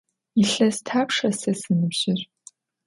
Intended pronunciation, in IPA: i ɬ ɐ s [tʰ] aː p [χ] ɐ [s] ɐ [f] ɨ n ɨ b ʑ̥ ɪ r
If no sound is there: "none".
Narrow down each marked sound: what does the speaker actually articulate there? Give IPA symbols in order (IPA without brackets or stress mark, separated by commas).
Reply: tʰ, ʂ, s, s